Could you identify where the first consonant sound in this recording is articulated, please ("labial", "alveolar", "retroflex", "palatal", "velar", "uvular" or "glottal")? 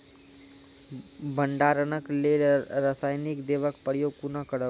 labial